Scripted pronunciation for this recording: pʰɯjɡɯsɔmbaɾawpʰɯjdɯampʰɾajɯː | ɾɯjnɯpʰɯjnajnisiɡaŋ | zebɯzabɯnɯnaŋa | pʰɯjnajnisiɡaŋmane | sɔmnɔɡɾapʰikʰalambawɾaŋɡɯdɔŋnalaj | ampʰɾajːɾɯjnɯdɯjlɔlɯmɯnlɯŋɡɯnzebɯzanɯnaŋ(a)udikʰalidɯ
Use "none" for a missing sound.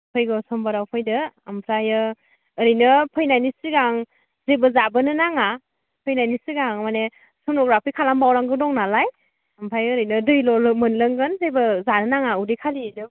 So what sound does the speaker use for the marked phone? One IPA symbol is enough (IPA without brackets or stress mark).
a